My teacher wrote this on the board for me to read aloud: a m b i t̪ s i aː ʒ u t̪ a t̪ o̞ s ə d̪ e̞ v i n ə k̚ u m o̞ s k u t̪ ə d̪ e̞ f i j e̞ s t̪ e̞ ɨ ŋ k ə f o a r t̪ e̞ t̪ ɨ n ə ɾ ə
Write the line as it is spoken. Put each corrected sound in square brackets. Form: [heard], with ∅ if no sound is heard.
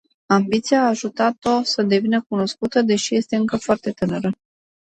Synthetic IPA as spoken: a m b i t̪ s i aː ʒ u t̪ a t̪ o̞ s ə d̪ e̞ v i n ə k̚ u [n] o̞ s k u t̪ ə d̪ e̞ [ʃ] i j e̞ s t̪ e̞ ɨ ŋ k ə f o a r t̪ e̞ t̪ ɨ n ə ɾ ə